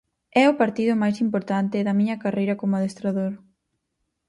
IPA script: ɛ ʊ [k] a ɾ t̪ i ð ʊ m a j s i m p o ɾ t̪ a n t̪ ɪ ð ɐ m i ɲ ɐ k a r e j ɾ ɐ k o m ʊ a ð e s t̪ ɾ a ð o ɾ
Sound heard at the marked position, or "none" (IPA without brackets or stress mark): p